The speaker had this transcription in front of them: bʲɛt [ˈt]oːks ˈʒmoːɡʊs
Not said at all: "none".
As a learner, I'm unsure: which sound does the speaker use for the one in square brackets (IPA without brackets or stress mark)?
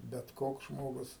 k